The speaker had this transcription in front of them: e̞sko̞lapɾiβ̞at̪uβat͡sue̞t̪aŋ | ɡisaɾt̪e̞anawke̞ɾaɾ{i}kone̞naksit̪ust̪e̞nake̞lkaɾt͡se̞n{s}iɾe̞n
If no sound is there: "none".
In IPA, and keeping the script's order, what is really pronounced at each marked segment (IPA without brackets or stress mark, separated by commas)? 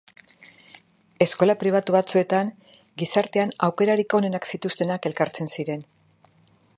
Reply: i, s